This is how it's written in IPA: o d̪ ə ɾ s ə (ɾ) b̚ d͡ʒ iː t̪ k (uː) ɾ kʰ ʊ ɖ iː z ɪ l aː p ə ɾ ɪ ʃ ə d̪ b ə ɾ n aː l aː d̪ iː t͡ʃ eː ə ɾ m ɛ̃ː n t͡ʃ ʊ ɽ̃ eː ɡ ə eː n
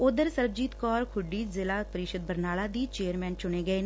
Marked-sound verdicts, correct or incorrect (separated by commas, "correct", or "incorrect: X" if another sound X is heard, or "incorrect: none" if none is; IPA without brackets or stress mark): correct, incorrect: ɔː